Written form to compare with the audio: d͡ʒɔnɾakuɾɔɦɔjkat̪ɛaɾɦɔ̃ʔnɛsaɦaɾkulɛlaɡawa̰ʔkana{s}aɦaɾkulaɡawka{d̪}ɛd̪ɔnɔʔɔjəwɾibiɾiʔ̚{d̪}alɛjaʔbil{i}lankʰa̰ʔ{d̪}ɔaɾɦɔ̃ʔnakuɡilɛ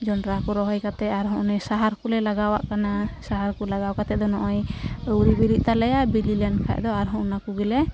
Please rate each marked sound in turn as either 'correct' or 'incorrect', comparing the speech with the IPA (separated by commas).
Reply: correct, incorrect, incorrect, correct, correct